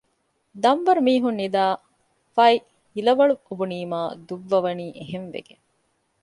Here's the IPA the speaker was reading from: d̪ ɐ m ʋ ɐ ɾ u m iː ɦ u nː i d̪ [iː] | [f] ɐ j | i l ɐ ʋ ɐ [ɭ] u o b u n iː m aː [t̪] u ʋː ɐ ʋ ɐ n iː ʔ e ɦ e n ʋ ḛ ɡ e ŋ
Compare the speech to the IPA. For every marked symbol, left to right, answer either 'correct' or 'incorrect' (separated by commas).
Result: incorrect, correct, correct, incorrect